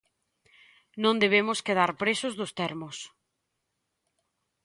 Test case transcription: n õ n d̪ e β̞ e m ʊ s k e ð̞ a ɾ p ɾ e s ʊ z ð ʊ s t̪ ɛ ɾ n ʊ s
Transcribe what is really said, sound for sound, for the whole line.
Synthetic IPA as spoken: n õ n d̪ e β̞ e m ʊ s k e ð̞ a ɾ p ɾ e s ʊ z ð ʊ s t̪ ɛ ɾ m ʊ s

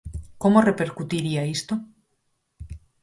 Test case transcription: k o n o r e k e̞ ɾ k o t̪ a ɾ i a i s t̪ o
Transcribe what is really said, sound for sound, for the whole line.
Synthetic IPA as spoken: k o m o r e p e̞ ɾ k u t̪ i ɾ i a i s t̪ o

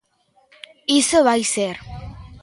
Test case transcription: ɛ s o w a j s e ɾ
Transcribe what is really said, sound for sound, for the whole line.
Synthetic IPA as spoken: i s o β a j s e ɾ

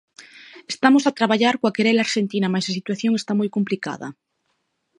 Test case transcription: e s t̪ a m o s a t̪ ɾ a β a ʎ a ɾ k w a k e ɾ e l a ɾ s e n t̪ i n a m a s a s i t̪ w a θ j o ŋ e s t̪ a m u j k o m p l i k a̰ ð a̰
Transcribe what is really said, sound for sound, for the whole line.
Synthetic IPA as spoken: e s t̪ a m o s a t̪ ɾ a β a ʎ a ɾ k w a k e ɾ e l a ɾ ʃ e n t̪ i n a m a s a s i t̪ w a θ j o ŋ e s t̪ a m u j k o m p l i k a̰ ð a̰

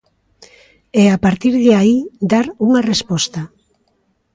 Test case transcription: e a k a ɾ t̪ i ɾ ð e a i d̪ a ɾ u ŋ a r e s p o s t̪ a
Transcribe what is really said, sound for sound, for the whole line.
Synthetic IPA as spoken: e a p a ɾ t̪ i ɾ ð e a i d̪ a ɾ u ŋ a r e s p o s t̪ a

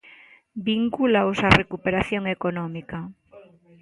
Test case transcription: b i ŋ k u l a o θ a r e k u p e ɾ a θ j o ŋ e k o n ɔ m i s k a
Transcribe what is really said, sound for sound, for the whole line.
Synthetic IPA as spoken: b i ŋ k u l a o s a r e k u p e ɾ a θ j o ŋ e k o n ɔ m i k a

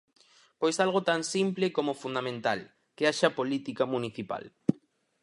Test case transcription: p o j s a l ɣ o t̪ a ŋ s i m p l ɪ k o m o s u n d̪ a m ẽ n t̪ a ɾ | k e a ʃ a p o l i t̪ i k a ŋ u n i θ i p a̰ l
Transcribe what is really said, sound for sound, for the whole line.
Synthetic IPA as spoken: p o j s a l ɣ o t̪ a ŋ s i m p l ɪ k o m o f u n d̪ a m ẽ n t̪ a l | k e a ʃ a p o l i t̪ i k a m u n i θ i p a̰ l

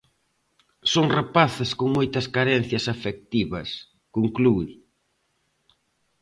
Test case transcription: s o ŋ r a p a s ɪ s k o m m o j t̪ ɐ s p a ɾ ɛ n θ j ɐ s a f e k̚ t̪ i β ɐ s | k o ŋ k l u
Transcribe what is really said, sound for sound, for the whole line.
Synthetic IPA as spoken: s o ŋ r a p a θ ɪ s k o ŋ m o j t̪ ɐ s k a ɾ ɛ n θ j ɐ s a f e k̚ t̪ i β ɐ s | k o ŋ k l u

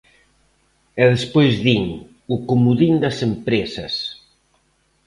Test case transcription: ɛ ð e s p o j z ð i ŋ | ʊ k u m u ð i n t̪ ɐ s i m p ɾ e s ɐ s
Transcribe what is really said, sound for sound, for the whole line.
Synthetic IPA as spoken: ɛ ð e s p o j z ð i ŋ | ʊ k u m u ð i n d̪ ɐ s e m p ɾ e s ɐ s

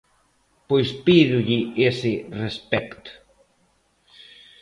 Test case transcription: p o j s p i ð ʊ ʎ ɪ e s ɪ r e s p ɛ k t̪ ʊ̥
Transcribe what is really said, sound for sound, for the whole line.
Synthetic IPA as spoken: p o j s p i ð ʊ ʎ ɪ e s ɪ r e s p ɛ k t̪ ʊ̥

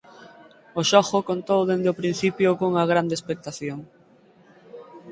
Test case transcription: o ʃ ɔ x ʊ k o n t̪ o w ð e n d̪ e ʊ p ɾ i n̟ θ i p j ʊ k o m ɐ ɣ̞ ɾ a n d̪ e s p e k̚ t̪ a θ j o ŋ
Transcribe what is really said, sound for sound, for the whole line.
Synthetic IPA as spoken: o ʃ ɔ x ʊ k o n t̪ o w ð e n d̪ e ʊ p ɾ i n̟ θ i p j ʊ k o ŋ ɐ ɣ̞ ɾ a n d̪ e s p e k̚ t̪ a θ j o ŋ

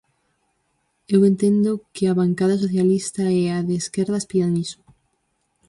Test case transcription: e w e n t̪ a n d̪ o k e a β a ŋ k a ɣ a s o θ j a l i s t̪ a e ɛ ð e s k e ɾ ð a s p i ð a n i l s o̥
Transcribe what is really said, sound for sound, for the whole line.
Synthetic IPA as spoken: e w e n t̪ e n d̪ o k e a β a ŋ k a ð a s o θ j a l i s t̪ a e a ð e s k e ɾ ð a s p i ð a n i s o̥

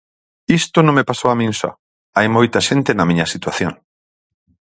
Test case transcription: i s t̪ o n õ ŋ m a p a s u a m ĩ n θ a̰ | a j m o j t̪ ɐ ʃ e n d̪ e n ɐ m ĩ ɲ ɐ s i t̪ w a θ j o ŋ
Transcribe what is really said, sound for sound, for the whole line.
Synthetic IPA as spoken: i s t̪ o n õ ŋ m e p a s o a m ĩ n s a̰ | a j m o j t̪ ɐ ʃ e n t̪ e n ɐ m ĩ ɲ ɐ s i t̪ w a θ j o ŋ

